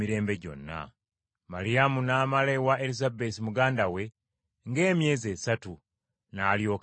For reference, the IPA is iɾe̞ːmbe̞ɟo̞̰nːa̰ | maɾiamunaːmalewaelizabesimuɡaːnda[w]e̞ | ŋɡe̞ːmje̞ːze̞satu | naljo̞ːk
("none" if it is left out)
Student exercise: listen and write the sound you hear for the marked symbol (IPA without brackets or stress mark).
w